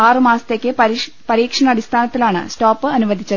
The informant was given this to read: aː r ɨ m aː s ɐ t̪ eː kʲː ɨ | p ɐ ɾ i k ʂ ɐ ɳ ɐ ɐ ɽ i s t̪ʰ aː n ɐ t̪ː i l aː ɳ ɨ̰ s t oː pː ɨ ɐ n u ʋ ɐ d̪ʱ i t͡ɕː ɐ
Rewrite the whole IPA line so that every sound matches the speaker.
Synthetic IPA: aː r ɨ m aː s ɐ t̪ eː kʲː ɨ | p ɐ ɾ iː k ʂ ɐ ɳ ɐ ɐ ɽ i s t̪ʰ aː n ɐ t̪ː i l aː ɳ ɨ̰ s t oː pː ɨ ɐ n u ʋ ɐ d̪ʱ i t͡ɕː ɐ